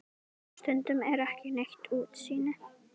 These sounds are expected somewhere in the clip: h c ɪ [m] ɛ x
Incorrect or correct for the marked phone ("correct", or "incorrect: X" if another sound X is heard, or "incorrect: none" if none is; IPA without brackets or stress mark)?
incorrect: n